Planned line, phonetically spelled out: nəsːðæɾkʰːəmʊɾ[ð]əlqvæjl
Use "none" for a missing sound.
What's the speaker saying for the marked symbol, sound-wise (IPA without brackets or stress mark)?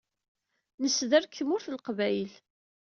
θ